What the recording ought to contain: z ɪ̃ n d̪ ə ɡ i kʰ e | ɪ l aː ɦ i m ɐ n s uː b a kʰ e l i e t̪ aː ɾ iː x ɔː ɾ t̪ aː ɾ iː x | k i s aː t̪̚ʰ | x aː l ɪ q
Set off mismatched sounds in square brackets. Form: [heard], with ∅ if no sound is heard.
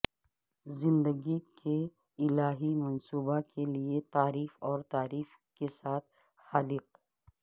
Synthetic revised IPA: z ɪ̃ n d̪ ə ɡ i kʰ e | ɪ l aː ɦ i m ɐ n s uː b a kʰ e l i e t̪ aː ɾ iː [f] ɔː ɾ t̪ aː ɾ iː [f] | k [e] s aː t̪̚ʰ | x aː l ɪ q